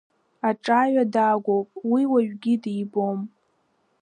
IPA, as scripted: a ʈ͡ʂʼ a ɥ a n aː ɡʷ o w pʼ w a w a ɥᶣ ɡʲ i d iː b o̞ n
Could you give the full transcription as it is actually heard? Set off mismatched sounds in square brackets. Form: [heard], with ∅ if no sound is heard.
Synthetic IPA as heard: a ʈ͡ʂʼ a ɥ a [d] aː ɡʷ o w pʼ w [i] w a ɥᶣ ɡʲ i d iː b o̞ [m]